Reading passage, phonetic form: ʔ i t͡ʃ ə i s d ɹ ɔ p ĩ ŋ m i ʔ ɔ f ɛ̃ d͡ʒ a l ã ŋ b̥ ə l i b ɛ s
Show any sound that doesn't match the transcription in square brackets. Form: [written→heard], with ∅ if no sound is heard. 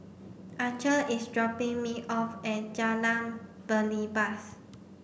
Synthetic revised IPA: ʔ [i→a] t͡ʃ ə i s d ɹ ɔ p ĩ ŋ m i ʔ ɔ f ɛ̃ d͡ʒ a l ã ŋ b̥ ə l i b [ɛ→a] s